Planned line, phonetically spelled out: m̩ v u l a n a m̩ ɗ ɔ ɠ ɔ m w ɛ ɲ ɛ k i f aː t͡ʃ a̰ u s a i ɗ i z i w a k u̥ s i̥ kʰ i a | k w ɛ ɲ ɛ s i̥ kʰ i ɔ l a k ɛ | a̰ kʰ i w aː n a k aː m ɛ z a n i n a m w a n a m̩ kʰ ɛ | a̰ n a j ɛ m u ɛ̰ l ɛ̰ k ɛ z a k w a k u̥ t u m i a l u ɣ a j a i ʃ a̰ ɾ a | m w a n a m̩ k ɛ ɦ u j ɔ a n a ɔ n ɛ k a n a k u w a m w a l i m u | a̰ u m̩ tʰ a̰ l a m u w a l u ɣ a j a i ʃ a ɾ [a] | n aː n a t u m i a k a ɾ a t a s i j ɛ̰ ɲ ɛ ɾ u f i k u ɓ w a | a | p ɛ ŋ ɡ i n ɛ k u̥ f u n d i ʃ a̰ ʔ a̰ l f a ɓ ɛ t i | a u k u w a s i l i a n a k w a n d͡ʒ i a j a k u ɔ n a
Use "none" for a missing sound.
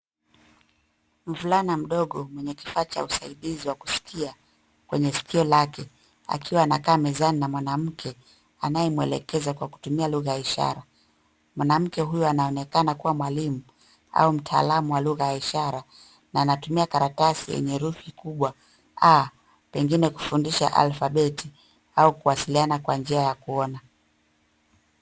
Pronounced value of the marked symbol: a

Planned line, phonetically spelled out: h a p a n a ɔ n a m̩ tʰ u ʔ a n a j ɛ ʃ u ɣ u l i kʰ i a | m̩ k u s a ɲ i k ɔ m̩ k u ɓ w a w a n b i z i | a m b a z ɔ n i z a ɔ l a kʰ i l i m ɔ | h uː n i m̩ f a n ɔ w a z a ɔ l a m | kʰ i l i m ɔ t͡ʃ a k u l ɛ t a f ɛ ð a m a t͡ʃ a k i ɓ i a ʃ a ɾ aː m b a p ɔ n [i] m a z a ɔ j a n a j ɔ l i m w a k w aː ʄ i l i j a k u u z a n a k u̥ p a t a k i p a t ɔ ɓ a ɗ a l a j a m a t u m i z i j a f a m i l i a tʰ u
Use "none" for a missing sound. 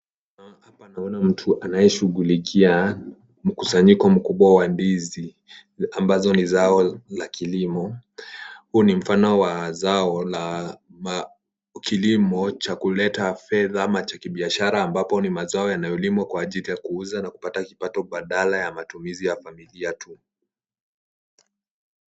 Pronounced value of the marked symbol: i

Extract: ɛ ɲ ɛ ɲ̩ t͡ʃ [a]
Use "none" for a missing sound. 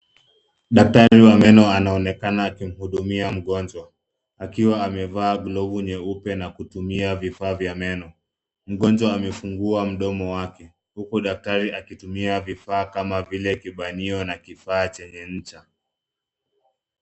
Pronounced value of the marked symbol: a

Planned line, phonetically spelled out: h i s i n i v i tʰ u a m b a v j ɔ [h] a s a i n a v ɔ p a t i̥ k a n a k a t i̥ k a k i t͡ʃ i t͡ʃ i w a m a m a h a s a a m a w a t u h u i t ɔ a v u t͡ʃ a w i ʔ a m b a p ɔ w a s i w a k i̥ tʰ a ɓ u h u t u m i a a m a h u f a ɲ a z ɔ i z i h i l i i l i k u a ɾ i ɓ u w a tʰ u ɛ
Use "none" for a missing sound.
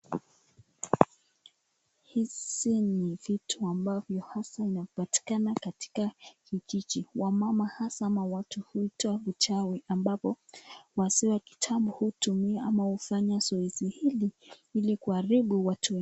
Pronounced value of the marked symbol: h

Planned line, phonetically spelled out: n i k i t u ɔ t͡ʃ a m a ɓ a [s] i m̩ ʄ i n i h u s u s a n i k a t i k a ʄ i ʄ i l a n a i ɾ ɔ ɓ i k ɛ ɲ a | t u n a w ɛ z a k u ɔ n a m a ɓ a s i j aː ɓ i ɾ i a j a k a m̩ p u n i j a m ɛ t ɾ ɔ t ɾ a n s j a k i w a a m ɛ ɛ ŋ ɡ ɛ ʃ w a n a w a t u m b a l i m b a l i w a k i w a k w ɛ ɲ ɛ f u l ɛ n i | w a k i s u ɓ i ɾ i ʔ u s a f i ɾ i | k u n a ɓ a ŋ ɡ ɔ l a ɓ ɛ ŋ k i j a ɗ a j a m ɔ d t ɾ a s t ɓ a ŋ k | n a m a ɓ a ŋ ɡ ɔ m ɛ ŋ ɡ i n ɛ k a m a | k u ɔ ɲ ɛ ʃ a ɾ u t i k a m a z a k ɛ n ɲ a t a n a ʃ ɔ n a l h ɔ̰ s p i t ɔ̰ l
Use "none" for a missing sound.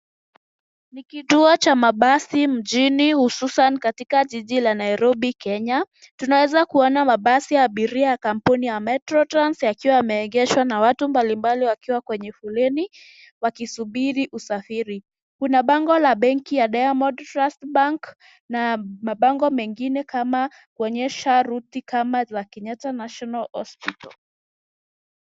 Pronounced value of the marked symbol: s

